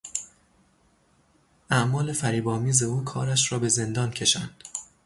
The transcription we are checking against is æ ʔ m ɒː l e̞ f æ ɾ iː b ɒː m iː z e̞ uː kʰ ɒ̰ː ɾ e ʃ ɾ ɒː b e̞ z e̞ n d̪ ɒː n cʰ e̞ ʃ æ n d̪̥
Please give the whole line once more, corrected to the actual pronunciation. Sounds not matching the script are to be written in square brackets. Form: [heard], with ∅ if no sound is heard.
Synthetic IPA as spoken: æ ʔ m ɒː l e̞ f æ ɾ iː b ɒː m iː z e̞ uː kʰ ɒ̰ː ɾ [æ] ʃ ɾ ɒː b e̞ z e̞ n d̪ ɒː n cʰ e̞ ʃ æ n d̪̥